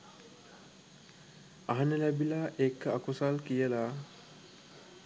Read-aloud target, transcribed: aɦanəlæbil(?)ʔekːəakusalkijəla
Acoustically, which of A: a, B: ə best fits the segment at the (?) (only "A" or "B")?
A